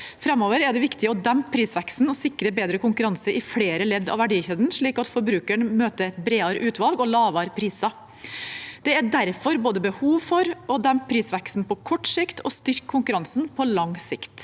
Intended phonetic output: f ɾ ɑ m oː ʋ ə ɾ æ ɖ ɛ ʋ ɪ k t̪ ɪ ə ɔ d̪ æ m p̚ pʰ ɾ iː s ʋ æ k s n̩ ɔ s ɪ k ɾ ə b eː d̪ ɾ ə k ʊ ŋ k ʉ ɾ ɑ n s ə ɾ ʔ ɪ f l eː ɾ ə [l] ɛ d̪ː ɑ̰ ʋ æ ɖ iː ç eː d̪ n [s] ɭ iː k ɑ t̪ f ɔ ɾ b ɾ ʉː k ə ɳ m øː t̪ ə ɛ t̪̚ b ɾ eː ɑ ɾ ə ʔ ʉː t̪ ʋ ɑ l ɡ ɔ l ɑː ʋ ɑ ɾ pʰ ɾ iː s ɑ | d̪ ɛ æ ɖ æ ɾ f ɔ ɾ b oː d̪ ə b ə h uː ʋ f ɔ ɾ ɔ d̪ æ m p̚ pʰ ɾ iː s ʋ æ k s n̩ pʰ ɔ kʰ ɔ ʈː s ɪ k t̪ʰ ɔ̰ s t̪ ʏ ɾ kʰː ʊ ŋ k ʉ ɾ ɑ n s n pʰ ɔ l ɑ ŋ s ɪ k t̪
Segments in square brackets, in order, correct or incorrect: correct, incorrect: ʂ

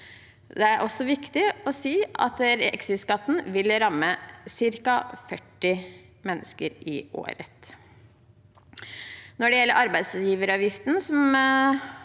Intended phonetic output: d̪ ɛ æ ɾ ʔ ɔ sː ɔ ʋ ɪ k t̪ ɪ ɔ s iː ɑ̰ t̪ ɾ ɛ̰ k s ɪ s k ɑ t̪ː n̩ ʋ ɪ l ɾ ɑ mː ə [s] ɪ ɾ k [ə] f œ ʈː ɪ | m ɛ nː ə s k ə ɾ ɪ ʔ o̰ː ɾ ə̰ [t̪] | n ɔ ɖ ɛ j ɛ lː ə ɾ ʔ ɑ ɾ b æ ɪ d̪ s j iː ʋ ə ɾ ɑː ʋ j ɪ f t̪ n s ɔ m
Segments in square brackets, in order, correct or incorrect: correct, incorrect: ɑ, correct

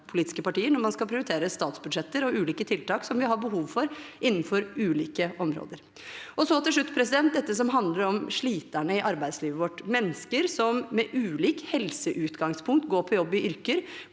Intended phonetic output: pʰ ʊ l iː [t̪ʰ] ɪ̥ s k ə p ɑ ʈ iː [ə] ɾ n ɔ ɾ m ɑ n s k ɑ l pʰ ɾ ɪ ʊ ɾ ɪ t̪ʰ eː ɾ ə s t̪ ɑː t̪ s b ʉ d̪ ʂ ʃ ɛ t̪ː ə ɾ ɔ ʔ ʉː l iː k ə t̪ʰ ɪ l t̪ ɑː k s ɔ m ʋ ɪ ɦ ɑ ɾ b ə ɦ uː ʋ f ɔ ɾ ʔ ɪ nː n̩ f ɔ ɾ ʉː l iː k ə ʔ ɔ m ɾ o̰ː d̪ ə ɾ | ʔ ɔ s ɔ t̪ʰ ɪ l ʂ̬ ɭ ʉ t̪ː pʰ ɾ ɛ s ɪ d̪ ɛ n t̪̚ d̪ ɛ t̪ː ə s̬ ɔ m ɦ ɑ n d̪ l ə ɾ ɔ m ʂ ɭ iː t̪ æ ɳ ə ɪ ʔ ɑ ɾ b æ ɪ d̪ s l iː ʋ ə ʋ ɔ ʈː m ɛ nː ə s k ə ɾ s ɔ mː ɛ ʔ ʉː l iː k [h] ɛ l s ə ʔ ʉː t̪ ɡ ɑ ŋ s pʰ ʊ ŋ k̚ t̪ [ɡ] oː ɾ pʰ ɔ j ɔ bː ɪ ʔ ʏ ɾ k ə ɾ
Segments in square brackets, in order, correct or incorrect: incorrect: t̪, correct, correct, correct

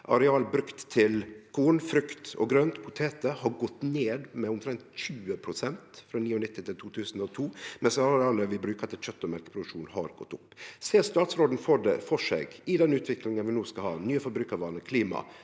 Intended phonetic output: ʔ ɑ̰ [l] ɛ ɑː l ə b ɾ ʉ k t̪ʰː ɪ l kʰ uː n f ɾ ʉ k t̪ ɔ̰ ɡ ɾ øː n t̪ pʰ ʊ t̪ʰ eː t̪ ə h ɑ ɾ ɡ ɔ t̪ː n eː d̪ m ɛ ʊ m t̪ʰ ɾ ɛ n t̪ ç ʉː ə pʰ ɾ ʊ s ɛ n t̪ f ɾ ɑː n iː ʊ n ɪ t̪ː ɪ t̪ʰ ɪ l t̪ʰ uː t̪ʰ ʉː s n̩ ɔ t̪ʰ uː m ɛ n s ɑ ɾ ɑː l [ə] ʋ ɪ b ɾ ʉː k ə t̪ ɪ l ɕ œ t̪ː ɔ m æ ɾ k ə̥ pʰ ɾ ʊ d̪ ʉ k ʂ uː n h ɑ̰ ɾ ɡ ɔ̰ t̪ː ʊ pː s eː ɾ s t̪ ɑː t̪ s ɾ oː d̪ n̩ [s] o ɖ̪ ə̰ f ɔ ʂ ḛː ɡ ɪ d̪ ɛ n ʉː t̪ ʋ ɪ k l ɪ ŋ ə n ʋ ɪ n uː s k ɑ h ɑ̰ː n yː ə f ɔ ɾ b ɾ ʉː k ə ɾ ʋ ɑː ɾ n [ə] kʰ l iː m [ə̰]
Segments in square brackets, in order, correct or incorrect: incorrect: ɾ, correct, incorrect: f, correct, incorrect: ɑ̰

